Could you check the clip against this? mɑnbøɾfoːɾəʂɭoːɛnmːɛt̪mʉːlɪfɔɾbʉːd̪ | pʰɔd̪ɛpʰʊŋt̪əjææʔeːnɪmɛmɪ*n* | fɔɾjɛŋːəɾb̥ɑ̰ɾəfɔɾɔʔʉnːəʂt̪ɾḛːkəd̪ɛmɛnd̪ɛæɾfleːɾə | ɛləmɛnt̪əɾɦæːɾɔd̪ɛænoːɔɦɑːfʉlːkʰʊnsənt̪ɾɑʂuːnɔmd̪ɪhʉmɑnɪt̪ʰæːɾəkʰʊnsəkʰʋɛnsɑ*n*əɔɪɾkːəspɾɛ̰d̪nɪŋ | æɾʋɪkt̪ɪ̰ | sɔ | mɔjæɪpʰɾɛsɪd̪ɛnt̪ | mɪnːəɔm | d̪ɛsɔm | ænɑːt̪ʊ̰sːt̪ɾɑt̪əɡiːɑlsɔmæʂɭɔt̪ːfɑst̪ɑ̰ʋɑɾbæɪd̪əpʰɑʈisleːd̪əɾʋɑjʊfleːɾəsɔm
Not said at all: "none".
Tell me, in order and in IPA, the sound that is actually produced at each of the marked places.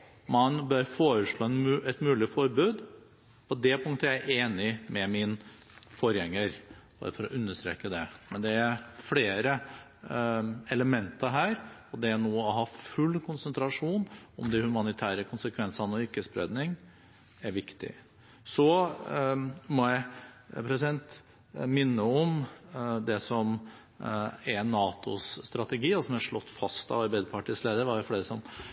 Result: n, n

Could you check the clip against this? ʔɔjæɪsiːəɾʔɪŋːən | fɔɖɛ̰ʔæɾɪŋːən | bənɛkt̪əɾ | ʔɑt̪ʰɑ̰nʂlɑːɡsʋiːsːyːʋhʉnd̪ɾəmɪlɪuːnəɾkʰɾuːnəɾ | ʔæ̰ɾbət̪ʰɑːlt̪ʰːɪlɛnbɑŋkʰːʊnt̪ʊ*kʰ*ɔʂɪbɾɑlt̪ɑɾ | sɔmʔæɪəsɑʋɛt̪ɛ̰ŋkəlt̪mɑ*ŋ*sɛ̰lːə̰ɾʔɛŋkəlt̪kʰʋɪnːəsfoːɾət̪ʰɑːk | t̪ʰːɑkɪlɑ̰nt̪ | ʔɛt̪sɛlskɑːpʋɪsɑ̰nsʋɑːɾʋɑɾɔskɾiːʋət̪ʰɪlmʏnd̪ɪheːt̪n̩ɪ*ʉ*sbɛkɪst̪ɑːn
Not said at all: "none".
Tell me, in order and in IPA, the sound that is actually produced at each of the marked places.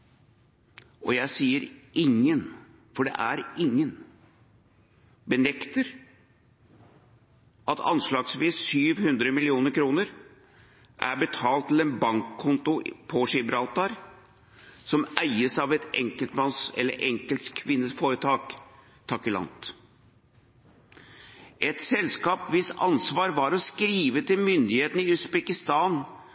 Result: pʰ, n, ʉ

